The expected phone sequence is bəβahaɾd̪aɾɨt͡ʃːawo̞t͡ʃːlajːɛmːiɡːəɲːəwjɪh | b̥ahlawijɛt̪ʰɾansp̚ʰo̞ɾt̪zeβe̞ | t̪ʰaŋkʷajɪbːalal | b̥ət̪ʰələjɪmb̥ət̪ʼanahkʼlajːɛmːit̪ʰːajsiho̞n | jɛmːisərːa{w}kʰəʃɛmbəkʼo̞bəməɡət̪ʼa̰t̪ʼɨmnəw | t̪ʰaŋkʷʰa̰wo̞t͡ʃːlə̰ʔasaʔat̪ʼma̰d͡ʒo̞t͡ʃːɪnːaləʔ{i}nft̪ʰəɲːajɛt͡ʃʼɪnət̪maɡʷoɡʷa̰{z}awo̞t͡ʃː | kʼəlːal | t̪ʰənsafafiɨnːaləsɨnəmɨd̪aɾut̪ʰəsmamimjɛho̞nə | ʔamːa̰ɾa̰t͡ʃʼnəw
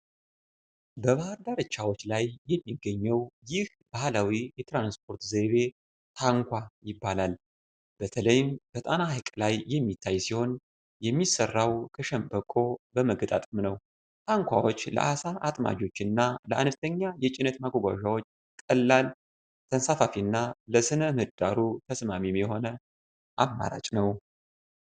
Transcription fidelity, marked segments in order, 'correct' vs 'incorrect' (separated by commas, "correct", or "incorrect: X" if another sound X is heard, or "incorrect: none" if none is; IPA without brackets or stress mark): correct, incorrect: a, incorrect: ʒ